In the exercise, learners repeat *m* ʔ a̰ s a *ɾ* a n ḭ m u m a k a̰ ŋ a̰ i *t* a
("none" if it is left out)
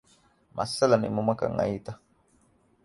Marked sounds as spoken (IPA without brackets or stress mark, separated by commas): m, l, t